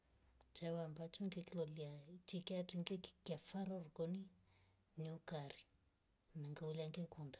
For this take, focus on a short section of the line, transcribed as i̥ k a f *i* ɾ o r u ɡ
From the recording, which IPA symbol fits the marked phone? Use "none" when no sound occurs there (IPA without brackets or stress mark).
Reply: a